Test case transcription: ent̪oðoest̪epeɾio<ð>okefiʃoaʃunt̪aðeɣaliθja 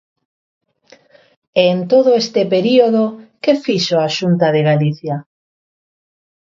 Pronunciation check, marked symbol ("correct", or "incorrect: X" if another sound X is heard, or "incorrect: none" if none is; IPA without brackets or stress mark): correct